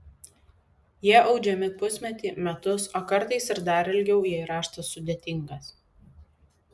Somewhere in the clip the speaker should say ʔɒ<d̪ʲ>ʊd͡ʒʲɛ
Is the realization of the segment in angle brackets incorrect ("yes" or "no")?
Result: yes